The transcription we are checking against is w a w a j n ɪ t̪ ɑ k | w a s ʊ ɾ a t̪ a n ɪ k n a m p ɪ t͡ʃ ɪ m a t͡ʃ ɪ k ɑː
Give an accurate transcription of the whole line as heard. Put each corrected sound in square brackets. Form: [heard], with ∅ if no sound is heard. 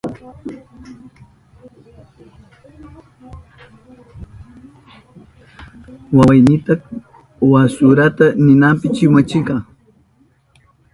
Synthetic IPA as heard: w a w a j n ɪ t̪ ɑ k | w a s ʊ ɾ a t̪ a n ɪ [∅] n a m p ɪ t͡ʃ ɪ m a t͡ʃ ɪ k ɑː